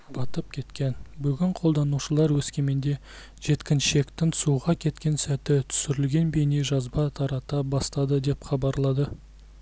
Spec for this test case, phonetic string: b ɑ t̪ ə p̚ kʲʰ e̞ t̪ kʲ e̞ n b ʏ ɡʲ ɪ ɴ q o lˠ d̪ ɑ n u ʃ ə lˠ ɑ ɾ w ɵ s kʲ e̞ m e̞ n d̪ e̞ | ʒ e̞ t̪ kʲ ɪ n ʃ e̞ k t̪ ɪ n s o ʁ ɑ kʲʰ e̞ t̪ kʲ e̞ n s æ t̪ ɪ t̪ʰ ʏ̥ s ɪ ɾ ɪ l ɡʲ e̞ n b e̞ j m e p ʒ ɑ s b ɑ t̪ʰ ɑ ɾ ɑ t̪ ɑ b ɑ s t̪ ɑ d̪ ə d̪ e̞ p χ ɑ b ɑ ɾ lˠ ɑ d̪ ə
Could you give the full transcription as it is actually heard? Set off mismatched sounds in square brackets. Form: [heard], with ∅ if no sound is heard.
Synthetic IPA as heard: b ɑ t̪ ə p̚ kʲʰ e̞ t̪ kʲ e̞ n b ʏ ɡʲ ɪ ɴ [qʰ] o lˠ d̪ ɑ n u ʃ ə lˠ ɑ ɾ w ɵ s kʲ e̞ m e̞ n d̪ e̞ | ʒ e̞ t̪ kʲ ɪ n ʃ e̞ k t̪ ɪ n s [u] ʁ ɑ kʲʰ e̞ t̪ kʲ e̞ n s æ t̪ ɪ t̪ʰ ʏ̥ s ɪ ɾ ɪ l ɡʲ e̞ n b e̞ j [n] e [∅] ʒ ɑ [z] b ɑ t̪ʰ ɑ ɾ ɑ t̪ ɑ b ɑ s t̪ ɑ d̪ ə d̪ e̞ p χ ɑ b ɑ ɾ lˠ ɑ d̪ ə